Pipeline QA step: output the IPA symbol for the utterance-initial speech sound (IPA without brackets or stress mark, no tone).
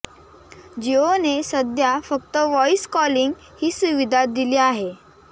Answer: d͡ʑ